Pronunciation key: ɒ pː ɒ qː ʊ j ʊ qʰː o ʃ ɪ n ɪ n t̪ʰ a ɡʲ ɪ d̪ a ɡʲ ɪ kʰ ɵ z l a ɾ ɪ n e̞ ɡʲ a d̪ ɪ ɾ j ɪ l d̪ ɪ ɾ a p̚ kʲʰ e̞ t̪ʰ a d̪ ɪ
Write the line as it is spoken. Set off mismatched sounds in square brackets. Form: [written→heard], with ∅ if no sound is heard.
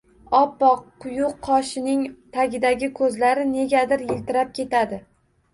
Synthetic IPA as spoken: ɒ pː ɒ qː ʊ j ʊ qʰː [o→ɒ] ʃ ɪ n ɪ [n→ŋ] t̪ʰ a ɡʲ ɪ d̪ a ɡʲ ɪ kʰ ɵ z l a ɾ ɪ n e̞ ɡʲ a d̪ ɪ ɾ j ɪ l [d̪→t̪] ɪ ɾ a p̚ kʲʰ e̞ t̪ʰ a d̪ ɪ